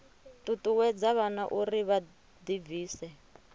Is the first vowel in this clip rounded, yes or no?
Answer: yes